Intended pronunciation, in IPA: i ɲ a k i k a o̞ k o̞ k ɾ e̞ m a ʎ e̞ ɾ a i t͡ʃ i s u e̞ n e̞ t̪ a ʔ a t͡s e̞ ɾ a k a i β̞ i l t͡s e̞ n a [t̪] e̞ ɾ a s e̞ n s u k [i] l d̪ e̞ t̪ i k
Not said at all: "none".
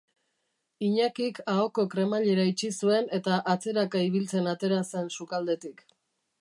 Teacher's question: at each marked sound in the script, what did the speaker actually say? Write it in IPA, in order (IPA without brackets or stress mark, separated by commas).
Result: t̪, a